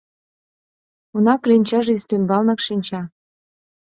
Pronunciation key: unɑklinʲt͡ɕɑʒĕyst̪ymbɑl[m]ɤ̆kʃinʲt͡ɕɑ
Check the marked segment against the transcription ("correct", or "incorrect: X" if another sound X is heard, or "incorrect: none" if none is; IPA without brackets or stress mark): incorrect: n